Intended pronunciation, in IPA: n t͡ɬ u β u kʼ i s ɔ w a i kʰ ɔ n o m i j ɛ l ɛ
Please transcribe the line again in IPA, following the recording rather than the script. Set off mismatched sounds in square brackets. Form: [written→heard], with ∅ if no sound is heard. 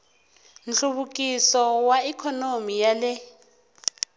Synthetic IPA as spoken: n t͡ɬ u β u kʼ i s ɔ w a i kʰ ɔ n o m i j [ɛ→a] l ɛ